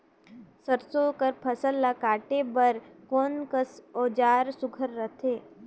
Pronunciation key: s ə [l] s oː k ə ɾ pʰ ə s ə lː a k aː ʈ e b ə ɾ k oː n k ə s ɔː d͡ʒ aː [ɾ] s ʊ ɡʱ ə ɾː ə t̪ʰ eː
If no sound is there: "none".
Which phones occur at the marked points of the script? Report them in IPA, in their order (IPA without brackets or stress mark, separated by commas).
ɾ, ɾ